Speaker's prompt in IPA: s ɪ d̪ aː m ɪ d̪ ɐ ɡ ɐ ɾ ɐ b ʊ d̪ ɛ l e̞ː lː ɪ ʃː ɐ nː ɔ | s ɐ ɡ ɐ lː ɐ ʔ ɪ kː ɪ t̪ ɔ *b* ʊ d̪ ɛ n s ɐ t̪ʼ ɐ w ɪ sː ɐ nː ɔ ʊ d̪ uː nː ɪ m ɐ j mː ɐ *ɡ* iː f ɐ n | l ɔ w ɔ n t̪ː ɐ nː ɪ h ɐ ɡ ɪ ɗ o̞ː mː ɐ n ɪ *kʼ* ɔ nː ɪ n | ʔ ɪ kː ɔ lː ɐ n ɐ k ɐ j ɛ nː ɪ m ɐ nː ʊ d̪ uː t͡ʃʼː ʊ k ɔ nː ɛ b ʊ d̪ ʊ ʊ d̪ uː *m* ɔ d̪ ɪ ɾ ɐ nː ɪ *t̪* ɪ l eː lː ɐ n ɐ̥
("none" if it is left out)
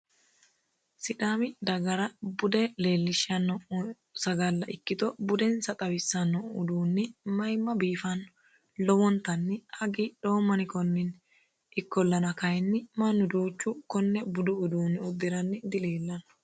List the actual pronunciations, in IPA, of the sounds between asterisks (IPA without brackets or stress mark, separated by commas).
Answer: b, b, k, n, d̪